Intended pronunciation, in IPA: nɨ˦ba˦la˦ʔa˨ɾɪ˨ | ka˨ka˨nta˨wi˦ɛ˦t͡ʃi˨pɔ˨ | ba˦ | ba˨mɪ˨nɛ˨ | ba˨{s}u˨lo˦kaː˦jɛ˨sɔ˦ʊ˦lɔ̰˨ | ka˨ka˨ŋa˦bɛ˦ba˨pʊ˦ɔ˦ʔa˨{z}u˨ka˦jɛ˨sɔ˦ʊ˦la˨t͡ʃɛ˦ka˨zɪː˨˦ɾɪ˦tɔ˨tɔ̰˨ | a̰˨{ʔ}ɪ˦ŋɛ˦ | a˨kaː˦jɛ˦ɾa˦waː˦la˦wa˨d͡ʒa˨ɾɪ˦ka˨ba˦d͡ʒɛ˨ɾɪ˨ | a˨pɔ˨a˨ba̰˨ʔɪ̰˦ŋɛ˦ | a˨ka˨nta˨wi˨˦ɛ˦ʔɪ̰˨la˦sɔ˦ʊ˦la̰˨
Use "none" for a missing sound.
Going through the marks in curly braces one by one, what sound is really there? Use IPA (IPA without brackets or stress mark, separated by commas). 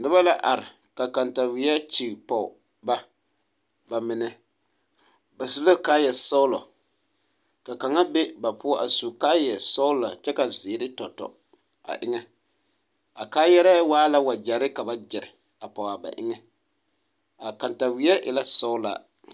s, s, ʔ